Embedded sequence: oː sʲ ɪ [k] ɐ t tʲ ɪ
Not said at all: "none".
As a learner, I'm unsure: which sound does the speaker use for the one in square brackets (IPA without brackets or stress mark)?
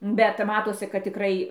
k